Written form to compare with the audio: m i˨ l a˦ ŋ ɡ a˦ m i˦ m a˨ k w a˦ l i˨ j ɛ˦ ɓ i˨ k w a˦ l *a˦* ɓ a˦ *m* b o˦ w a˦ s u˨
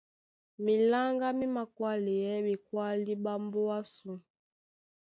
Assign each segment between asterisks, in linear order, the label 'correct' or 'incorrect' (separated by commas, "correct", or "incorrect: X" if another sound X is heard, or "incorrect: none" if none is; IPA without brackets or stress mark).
incorrect: i˦, correct